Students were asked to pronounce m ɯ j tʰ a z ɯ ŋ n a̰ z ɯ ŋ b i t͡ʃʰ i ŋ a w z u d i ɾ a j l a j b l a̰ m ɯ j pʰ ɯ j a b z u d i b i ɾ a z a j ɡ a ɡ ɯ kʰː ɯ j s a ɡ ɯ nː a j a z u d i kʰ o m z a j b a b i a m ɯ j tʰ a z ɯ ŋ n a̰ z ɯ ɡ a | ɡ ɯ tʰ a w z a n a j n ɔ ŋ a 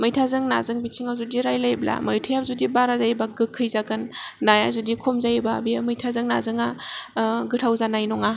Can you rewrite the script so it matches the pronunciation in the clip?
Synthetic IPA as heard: m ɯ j tʰ a z ɯ ŋ n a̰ z ɯ ŋ b i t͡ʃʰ i ŋ a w z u d i ɾ a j l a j b l a̰ m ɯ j tʰ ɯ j a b z u d i b a ɾ a z a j b a ɡ ɯ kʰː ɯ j z a ɡ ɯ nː a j a z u d i kʰ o m z a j b a b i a m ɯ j tʰ a z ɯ ŋ n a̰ z ɯ ŋ a | ɡ ɯ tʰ a w z a n a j n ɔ ŋ a